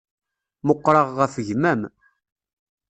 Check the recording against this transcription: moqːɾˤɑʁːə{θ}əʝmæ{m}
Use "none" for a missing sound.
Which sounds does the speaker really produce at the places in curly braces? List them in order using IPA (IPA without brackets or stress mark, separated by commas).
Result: f, m